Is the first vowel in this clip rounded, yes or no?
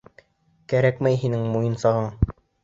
no